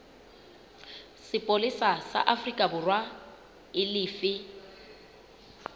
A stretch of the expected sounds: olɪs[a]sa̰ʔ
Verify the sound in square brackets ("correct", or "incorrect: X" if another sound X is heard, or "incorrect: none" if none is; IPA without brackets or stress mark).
correct